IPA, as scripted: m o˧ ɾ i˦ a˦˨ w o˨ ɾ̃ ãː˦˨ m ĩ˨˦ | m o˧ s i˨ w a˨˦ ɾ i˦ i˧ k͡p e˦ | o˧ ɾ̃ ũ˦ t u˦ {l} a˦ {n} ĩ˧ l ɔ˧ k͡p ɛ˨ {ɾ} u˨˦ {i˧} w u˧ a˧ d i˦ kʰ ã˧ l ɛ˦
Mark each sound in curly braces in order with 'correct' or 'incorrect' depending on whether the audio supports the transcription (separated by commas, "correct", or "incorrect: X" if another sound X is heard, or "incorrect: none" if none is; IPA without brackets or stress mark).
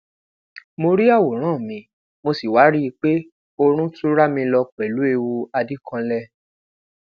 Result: incorrect: ɾ, incorrect: m, incorrect: l, incorrect: e˧